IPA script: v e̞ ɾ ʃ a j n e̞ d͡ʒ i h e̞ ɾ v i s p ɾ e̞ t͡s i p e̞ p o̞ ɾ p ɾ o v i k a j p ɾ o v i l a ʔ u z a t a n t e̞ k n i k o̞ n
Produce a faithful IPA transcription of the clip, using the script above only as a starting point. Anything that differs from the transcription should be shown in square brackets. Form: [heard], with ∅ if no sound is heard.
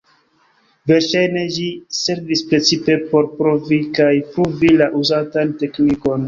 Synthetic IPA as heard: v e̞ ɾ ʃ a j n e̞ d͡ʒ i [s] e̞ ɾ v i s p ɾ e̞ t͡s i p e̞ p o̞ ɾ p ɾ o v i k a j p ɾ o v i l a ʔ u z a t a n t e̞ k n i k o̞ n

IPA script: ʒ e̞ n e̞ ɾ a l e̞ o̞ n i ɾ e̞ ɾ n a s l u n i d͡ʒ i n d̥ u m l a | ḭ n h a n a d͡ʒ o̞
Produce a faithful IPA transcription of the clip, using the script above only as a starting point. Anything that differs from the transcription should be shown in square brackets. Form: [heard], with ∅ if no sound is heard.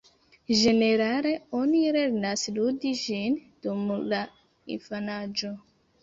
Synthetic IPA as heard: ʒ e̞ n e̞ ɾ a l e̞ o̞ n i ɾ e̞ ɾ n a s l u [d] i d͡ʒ i n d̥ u m l a | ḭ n [f] a n a d͡ʒ o̞

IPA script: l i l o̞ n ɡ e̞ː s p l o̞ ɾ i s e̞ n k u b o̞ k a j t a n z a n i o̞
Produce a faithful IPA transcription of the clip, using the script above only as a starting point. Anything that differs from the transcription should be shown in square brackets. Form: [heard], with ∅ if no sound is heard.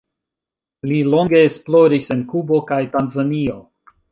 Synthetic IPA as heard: l i l o̞ [ŋ] ɡ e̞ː s p l o̞ ɾ i s e̞ n k u b o̞ k a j t a n z a n i o̞

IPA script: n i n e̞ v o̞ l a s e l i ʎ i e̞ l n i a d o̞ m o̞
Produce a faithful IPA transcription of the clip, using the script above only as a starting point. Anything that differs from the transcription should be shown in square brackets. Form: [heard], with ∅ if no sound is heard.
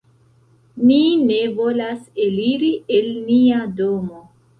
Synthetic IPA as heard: n i n e̞ v o̞ l a s e l i [ɾ] i e̞ l n i a d o̞ m o̞

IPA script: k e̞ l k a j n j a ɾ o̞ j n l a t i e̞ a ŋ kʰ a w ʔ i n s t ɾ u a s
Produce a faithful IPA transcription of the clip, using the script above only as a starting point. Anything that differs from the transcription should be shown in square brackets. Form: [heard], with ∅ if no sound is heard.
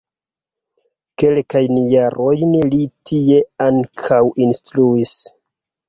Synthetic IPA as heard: k e̞ l k a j n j a ɾ o̞ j n l [i] t i e̞ a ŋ kʰ a w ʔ i n s t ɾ u [i] s

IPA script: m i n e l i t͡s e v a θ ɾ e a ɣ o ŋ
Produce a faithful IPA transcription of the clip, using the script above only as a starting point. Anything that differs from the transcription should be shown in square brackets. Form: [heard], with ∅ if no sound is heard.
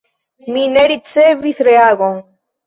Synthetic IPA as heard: m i n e [ɾ] i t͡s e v [i] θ ɾ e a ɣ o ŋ

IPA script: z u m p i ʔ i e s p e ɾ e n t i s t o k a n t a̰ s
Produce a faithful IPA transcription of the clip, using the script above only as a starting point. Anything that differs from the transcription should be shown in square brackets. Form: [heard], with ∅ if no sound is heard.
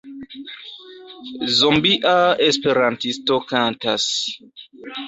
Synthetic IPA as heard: z [o] m [b] i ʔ [a] e s p e ɾ [a] n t i s t o k a n t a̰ s

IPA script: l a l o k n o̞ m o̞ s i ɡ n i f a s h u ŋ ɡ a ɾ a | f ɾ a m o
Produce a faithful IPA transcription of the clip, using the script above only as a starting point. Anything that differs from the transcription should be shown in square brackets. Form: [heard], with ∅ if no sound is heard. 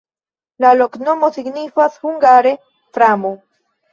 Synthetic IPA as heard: l a l o k n o̞ m o̞ s i ɡ n i f a s h u ŋ ɡ a ɾ [e] | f ɾ a m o

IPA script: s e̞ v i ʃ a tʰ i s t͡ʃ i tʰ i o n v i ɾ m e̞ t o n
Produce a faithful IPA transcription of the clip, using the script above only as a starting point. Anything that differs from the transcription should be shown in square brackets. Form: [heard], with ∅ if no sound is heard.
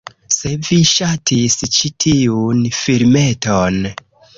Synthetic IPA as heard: s e̞ v i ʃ a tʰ i s t͡ʃ i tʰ i [u] n [f] i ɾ m e̞ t o n

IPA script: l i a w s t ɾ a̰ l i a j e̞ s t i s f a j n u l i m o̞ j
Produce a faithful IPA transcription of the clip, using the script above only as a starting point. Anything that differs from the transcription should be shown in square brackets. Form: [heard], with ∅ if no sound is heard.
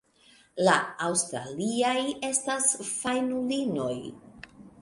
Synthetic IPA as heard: l [a] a w s t ɾ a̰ l i a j e̞ s t [a] s f a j n u l i [n] o̞ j

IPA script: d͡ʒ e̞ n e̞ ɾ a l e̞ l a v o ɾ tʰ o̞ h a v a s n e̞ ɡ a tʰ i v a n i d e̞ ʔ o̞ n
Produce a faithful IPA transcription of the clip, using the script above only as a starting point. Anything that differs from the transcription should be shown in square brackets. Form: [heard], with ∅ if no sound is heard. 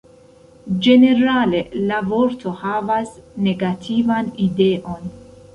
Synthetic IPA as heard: d͡ʒ e̞ n e̞ ɾ a l e̞ l a v o ɾ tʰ o̞ h a v a s n e̞ ɡ a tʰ i v a n i d e̞ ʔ o̞ n

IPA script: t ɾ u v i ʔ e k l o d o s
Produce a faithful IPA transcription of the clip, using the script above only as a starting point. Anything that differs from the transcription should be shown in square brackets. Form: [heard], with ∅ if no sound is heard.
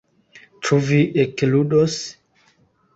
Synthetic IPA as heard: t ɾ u v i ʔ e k l [u] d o s

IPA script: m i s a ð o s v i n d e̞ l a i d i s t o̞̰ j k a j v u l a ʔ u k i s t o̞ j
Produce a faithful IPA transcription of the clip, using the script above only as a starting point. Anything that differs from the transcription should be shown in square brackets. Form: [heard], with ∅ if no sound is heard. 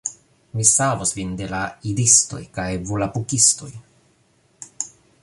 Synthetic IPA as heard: m i s a [v] o s v i n d e̞ l a i d i s t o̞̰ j k a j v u l a [p] u k i s t o̞ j

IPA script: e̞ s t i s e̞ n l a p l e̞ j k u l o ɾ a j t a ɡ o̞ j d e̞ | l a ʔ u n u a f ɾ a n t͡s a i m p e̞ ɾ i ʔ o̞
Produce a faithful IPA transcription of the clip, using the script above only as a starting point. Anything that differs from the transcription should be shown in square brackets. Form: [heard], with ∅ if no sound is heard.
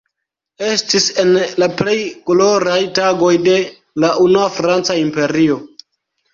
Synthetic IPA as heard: e̞ s t i s e̞ n l a p l e̞ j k [o] l o ɾ a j t a ɡ o̞ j d e̞ | l a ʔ u n u a f ɾ a n t͡s a i m p e̞ ɾ i [∅] o̞

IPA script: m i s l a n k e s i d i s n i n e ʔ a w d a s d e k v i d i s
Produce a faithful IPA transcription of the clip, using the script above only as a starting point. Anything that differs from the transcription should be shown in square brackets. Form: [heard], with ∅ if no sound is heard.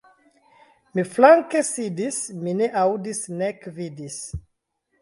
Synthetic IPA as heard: m i [f] l a [ŋ] k e s i d i s [m] i n e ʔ a w d [i] s [n] e k v i d i s

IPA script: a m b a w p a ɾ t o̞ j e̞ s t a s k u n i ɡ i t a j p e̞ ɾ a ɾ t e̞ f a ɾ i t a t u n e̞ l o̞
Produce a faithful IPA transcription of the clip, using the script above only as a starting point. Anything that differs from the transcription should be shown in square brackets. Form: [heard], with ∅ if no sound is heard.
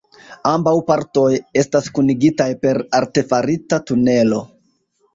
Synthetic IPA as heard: a m b a w p a ɾ t o̞ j e̞ s t a s k u n i ɡ i t a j p e̞ ɾ a ɾ t e̞ f a ɾ i t a t u n e̞ l o̞

